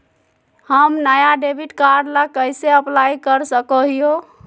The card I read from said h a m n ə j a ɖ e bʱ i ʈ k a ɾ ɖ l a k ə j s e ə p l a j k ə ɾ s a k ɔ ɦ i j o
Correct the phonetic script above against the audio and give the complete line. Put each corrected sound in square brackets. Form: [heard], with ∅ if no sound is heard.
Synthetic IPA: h [ə] m n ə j a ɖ e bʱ i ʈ k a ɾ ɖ l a k ə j s e ə p l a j k ə ɾ s [ə] k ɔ ɦ i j o